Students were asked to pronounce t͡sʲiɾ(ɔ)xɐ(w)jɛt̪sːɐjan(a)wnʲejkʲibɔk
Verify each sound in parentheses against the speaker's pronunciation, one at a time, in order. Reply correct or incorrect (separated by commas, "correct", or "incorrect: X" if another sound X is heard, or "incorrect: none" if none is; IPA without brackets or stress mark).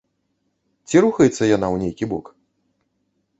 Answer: incorrect: u, incorrect: none, correct